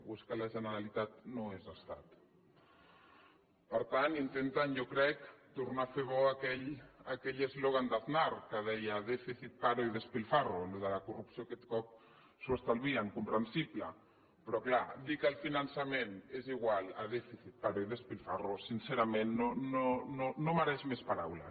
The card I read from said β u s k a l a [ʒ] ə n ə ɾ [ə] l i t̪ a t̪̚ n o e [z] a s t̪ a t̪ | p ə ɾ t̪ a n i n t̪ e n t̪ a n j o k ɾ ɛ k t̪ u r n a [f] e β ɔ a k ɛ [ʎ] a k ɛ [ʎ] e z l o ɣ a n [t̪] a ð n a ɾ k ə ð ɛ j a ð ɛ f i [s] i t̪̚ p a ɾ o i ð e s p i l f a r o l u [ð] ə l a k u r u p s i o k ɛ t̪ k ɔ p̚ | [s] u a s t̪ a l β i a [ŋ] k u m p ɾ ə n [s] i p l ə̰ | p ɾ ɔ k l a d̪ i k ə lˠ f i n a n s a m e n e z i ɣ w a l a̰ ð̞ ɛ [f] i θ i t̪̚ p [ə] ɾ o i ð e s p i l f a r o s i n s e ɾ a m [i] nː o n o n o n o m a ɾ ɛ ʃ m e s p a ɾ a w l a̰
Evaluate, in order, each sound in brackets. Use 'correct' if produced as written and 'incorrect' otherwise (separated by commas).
correct, incorrect, correct, correct, correct, correct, incorrect, incorrect, correct, correct, correct, correct, correct, incorrect, incorrect